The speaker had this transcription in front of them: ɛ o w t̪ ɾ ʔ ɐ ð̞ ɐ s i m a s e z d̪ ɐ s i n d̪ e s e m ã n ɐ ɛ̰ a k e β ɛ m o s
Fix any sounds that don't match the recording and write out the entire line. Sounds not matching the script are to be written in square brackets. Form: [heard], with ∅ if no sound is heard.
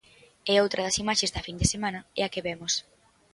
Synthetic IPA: ɛ o w t̪ ɾ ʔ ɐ ð̞ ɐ s i m a [ʃ] e z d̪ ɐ [f] i n d̪ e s e m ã n ɐ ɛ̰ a k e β ɛ m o s

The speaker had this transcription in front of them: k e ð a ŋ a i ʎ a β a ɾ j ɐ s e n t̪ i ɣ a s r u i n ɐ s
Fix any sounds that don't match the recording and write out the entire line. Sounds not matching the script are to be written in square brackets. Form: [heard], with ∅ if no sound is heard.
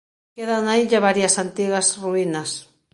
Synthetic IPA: k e ð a [n] a i ʎ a β a ɾ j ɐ s [a] n t̪ i ɣ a s r u i n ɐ s

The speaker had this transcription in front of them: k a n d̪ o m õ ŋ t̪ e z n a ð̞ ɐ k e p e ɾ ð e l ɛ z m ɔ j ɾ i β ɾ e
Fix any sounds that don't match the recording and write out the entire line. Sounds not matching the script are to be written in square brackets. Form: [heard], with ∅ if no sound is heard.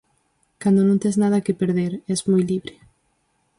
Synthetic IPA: k a n d̪ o [n] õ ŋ t̪ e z n a ð̞ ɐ k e p e ɾ ð e [ɾ] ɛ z m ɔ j [l] i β ɾ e

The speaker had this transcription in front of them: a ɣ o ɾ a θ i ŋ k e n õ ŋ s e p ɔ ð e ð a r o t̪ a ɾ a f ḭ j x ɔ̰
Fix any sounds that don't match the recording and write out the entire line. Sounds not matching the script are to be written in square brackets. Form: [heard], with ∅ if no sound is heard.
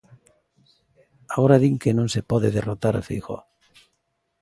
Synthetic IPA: a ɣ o ɾ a [ð] i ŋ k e n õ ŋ s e p ɔ ð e ð [e] r o t̪ a ɾ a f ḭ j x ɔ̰

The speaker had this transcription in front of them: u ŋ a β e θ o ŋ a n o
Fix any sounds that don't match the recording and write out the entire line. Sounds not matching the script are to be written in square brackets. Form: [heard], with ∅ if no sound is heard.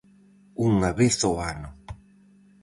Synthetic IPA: u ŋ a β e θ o [∅] a n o

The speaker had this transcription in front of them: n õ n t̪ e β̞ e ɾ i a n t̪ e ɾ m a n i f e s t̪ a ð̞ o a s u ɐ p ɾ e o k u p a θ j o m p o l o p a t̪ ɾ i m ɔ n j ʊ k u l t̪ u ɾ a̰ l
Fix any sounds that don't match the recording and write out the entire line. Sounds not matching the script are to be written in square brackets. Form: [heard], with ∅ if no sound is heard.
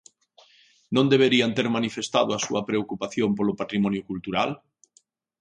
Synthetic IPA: n õ n [d̪] e β̞ e ɾ i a n t̪ e ɾ m a n i f e s t̪ a ð̞ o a s u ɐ p ɾ e o k u p a θ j o m p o l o p a t̪ ɾ i m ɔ n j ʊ k u l t̪ u ɾ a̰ l

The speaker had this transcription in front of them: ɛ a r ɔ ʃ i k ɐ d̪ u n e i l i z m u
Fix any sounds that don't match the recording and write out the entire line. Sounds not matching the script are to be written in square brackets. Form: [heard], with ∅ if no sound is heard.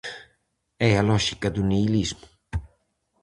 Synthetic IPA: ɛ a [l] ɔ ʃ i k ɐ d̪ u n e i l i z m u

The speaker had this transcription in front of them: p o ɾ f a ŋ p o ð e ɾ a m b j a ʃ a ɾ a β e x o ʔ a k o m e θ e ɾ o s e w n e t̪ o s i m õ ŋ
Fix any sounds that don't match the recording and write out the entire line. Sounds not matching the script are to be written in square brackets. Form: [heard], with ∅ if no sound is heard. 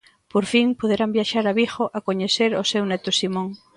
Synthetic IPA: p o ɾ f [i] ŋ p o ð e ɾ a m b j a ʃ a ɾ a β [i] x o ʔ a k o [ɲ] e θ e ɾ o s e w n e t̪ o s i m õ ŋ

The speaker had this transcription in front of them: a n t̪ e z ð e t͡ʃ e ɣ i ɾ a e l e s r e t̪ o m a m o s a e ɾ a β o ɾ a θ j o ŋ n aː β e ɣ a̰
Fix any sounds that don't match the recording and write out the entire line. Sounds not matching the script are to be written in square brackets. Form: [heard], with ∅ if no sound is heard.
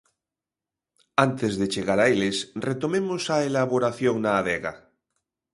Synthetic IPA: a n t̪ e z ð e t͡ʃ e ɣ [a] ɾ a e l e s r e t̪ o m [e] m o s a e [l] a β o ɾ a θ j o ŋ n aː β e ɣ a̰

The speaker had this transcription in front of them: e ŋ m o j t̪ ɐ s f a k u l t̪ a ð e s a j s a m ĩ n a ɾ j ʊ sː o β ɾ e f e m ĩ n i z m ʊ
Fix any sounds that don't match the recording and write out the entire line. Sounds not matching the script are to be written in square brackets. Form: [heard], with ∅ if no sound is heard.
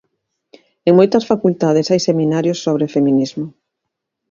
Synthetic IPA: e ŋ m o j t̪ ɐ s f a k u l t̪ a ð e s a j s [e] m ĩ n a ɾ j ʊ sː o β ɾ e f e m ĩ n i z m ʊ

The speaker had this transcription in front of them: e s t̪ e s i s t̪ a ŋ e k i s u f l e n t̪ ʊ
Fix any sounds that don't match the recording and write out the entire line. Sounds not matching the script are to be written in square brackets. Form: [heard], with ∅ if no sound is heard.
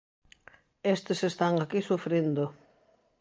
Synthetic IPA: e s t̪ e s [e] s t̪ a ŋ [a] k i s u f [ɾ] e n [d̪] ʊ

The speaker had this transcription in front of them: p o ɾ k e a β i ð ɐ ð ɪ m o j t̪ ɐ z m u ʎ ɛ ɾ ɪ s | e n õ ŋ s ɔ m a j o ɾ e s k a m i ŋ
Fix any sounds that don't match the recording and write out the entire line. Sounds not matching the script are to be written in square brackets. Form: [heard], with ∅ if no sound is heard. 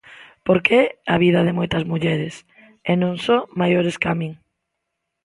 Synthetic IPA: p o ɾ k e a β i ð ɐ ð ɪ m o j t̪ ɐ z m u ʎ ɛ ɾ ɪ s | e n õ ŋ s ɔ m a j o ɾ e s k a m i ŋ

